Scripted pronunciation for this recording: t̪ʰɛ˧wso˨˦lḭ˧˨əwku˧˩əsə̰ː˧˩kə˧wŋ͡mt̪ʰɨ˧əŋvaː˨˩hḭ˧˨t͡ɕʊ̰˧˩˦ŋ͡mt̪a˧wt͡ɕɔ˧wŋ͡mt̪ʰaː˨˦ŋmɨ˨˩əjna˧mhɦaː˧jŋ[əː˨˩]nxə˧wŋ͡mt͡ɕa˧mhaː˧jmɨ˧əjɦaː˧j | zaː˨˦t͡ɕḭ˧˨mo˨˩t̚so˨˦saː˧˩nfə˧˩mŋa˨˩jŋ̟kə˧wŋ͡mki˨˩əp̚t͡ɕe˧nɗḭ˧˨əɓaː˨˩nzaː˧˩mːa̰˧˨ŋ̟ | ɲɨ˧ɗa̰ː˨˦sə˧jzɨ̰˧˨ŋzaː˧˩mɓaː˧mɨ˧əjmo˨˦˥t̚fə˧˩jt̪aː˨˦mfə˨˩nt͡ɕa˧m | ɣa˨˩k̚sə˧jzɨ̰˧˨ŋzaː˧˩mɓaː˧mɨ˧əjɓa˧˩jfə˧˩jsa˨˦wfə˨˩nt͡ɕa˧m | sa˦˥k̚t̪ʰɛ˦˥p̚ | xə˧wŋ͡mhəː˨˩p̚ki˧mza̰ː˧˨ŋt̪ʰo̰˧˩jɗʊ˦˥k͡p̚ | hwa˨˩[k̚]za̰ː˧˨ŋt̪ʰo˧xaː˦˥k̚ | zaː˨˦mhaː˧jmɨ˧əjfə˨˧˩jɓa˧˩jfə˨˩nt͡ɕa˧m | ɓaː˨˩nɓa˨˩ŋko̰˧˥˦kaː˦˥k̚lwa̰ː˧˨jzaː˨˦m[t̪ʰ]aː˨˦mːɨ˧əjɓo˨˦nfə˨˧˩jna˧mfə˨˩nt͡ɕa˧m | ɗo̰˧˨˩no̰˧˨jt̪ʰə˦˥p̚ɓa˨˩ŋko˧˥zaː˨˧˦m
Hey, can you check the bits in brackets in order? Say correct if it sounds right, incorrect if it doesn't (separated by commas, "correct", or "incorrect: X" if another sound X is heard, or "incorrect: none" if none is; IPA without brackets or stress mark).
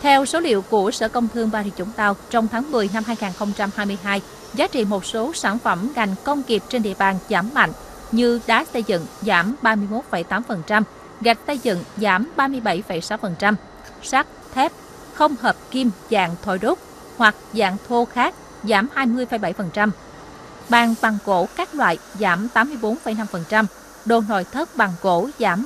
incorrect: aː˨˩, correct, incorrect: t̪